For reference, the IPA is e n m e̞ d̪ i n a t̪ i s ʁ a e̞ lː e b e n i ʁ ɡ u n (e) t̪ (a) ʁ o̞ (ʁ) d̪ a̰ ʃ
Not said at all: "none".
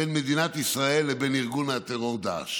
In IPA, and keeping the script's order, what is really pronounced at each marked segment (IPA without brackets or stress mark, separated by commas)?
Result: a, e, ʁ